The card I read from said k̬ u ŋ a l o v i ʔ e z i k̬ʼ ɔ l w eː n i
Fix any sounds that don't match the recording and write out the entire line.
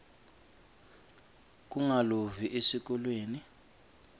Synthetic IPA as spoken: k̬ u ŋ a l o v i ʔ e s i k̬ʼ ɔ l w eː n i